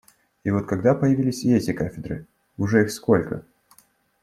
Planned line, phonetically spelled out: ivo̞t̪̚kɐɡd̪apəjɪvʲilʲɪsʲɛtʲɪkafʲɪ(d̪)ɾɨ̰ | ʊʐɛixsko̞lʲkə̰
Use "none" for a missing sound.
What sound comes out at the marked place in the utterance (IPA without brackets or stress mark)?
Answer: d̪